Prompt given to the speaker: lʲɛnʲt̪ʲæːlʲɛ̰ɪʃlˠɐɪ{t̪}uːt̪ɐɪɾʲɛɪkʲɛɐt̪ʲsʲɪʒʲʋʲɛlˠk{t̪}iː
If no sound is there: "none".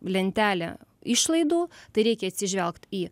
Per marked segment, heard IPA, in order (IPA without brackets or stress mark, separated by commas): d̪, t̪